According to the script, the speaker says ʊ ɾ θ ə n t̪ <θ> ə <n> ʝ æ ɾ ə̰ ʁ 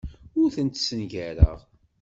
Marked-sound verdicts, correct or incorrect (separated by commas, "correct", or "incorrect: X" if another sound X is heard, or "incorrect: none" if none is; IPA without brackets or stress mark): incorrect: s, correct